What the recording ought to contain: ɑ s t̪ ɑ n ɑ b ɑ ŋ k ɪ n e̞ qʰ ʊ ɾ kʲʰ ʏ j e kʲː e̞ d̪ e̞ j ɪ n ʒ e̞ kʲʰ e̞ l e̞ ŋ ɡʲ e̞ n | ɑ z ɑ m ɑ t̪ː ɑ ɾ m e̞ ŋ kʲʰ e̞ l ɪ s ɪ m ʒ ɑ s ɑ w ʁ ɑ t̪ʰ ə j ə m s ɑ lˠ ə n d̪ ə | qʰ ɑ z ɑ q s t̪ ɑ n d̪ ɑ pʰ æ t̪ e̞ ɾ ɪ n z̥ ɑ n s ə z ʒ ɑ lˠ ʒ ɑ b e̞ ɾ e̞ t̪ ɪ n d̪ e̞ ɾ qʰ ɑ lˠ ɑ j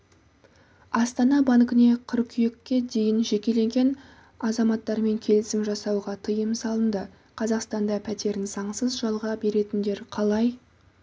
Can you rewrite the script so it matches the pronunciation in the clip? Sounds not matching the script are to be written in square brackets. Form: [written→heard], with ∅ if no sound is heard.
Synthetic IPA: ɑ s t̪ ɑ n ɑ b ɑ ŋ k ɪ n e̞ qʰ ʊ ɾ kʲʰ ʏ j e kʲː e̞ d̪ e̞ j ɪ n ʒ e̞ [kʲʰ→kʲ] e̞ l e̞ ŋ ɡʲ e̞ n | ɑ z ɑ m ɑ t̪ː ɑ ɾ m e̞ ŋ kʲʰ e̞ l ɪ s ɪ m ʒ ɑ s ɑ w ʁ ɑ t̪ʰ ə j ə m s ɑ lˠ ə n d̪ ə | qʰ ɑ z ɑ q s t̪ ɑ n d̪ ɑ pʰ æ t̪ e̞ ɾ ɪ n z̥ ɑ [n→ɴ] s ə z ʒ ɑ lˠ [ʒ→ʁ] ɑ b e̞ ɾ e̞ t̪ ɪ n d̪ e̞ ɾ qʰ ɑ lˠ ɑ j